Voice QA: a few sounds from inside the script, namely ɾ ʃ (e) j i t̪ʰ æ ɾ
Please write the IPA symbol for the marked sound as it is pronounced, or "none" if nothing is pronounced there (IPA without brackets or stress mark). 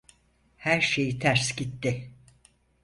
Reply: e